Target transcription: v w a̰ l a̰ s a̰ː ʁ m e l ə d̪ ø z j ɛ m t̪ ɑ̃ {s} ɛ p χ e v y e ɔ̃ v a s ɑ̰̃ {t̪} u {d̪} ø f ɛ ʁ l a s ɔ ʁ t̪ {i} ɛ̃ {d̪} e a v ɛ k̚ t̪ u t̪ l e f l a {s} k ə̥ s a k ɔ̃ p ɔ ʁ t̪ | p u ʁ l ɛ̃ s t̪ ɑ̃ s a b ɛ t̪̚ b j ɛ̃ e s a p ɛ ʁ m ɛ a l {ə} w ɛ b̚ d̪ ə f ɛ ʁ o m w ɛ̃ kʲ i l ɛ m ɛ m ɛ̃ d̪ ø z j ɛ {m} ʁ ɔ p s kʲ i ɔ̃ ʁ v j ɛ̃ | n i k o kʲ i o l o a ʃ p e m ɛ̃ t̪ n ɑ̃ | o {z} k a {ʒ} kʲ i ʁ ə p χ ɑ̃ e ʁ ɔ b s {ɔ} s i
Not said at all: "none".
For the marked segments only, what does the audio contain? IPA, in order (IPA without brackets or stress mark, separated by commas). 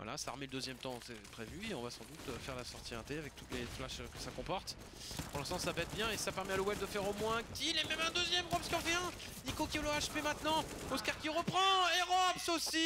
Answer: s, d̪, t̪, i, t̪, ʃ, ə, m, s, ʁ, o